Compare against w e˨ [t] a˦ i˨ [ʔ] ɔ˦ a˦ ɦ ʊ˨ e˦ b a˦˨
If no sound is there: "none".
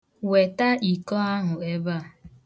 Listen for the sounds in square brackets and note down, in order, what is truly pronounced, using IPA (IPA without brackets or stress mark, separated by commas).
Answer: t, k